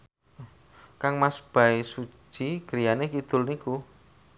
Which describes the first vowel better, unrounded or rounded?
unrounded